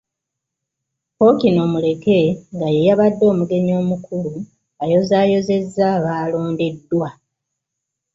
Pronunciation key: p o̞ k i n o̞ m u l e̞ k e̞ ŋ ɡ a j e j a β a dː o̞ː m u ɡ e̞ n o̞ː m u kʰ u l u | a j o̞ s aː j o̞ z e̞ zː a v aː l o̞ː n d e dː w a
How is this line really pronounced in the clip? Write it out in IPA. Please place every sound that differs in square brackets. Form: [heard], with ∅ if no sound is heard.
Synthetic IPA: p o̞ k i n o̞ m u l e̞ k e̞ ŋ ɡ a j e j a β a dː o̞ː m u ɡ e̞ [ɲ] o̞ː m u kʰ u l u | a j o̞ [z] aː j o̞ z e̞ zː a [β] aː l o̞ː n d e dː w a